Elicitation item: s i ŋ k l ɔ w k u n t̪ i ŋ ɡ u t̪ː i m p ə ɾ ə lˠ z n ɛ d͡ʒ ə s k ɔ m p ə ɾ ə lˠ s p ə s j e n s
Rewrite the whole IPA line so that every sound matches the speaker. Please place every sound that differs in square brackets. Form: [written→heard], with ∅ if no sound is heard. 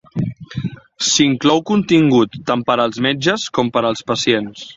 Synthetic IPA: s i ŋ k l ɔ w k u n t̪ i ŋ ɡ u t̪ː [i→a] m p ə ɾ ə lˠ z [n→m] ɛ d͡ʒ ə s k ɔ m p ə ɾ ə lˠ s p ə s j e n s